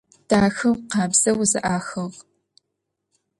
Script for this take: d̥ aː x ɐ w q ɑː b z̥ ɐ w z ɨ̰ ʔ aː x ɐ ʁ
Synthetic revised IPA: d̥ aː x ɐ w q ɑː b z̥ ɐ w z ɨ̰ ʔ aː x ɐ ʁ